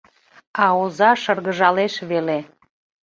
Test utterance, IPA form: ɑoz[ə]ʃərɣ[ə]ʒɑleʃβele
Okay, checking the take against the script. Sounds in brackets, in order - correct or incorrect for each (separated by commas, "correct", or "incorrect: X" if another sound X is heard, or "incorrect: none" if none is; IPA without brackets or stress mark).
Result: incorrect: ɑ, correct